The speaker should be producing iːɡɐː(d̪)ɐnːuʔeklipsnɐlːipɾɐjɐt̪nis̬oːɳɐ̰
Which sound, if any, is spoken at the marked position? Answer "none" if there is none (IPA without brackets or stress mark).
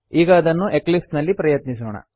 d̪